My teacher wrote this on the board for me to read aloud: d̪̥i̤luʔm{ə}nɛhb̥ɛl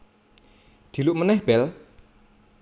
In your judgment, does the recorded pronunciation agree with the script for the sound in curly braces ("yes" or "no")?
yes